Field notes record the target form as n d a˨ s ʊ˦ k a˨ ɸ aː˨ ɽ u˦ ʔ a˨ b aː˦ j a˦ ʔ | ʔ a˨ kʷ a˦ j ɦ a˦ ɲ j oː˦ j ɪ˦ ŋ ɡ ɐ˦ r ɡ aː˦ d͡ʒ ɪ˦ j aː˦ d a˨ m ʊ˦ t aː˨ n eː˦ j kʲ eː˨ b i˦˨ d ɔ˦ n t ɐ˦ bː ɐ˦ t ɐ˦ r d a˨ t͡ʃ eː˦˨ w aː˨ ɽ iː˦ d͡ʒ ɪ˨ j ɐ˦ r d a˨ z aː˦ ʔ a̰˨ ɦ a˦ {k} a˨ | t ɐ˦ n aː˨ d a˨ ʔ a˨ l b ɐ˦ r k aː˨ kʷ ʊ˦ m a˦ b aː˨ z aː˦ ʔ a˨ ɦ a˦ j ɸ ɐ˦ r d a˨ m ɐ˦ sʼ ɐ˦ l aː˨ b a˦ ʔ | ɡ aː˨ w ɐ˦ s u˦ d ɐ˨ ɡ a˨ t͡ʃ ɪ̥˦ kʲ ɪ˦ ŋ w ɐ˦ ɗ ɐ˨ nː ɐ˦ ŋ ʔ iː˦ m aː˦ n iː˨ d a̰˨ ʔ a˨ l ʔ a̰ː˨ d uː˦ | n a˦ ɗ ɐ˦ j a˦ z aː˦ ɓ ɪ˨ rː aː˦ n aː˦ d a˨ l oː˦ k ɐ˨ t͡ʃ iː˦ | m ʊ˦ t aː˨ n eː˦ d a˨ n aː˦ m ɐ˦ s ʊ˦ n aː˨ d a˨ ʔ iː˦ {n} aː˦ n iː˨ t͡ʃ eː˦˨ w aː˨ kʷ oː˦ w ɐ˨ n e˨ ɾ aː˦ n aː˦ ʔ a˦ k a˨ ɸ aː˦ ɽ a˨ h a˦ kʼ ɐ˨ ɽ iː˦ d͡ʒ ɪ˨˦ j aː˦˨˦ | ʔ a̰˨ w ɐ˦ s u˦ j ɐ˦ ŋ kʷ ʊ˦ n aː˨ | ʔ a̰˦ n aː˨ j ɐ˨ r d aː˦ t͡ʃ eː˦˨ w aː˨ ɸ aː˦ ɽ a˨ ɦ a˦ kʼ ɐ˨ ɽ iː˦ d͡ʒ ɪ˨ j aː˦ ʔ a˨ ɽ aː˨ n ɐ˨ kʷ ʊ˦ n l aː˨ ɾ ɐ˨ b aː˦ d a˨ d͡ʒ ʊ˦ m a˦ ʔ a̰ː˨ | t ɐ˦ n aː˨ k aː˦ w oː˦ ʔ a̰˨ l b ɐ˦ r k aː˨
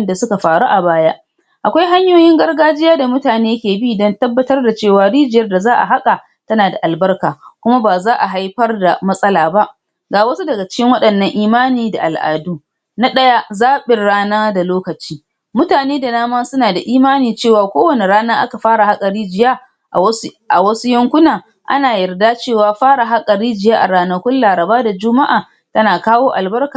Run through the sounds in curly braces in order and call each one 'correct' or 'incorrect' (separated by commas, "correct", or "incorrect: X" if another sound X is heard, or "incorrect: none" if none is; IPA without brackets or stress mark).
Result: incorrect: kʼ, incorrect: m